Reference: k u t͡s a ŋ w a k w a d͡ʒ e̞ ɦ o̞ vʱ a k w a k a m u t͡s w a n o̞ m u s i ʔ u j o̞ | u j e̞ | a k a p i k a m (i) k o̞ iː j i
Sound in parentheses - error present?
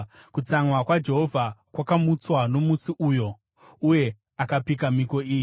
no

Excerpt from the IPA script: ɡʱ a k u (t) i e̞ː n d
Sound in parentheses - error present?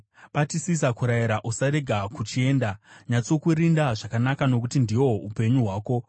yes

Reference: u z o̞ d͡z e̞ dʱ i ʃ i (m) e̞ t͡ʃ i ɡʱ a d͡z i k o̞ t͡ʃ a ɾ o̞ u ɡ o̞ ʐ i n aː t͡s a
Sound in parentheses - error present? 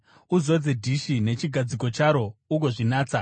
yes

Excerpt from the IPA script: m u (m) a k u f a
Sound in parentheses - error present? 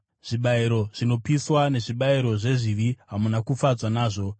yes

